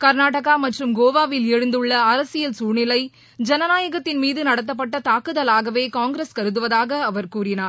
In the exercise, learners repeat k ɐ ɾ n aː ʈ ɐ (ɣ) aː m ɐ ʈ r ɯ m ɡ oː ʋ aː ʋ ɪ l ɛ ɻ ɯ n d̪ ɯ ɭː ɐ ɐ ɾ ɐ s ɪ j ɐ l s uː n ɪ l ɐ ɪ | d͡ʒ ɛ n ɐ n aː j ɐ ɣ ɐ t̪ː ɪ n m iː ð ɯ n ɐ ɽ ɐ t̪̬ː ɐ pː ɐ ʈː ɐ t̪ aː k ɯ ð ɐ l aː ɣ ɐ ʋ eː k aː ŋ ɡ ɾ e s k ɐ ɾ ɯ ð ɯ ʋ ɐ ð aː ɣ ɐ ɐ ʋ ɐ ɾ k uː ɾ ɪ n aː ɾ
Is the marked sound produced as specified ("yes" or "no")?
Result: yes